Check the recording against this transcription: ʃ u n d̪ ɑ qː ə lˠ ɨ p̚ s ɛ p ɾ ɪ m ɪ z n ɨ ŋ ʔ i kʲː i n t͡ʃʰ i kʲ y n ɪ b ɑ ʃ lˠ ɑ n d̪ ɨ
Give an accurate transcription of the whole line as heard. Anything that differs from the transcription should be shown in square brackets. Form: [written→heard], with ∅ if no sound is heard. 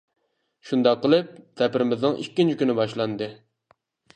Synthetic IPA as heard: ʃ u n d̪ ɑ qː ə lˠ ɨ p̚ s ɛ p ɾ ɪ m ɪ z n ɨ ŋ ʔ i kʲː i n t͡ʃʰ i kʲ y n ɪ b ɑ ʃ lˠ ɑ n d̪ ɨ